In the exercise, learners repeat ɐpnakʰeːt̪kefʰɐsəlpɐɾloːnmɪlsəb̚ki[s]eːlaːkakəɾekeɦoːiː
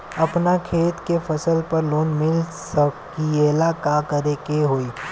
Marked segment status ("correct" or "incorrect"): incorrect